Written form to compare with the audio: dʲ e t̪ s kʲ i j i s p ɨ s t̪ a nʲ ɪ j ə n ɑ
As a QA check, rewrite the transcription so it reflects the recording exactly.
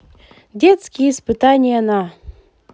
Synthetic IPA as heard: dʲ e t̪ s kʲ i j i s p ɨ t̪ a nʲ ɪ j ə n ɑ